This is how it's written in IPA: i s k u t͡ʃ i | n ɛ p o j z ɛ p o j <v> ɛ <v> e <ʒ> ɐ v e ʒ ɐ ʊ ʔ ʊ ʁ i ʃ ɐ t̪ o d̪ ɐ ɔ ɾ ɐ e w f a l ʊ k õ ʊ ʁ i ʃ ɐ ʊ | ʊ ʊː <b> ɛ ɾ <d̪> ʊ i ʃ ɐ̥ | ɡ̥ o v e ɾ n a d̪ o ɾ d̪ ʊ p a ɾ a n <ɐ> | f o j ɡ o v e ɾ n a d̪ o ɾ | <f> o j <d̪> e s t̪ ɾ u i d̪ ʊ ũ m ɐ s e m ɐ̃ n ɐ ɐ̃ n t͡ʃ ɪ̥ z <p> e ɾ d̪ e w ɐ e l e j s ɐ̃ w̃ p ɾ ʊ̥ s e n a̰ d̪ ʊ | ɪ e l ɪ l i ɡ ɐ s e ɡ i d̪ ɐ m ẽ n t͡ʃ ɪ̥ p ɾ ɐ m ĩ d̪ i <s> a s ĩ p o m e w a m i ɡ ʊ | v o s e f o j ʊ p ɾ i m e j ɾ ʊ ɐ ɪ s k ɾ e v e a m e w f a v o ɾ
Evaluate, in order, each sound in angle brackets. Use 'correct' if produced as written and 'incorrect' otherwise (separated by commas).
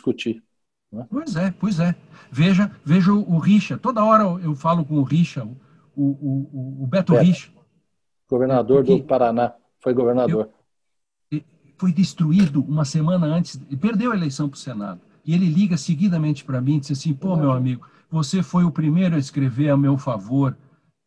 incorrect, correct, correct, correct, incorrect, incorrect, correct, correct, correct, incorrect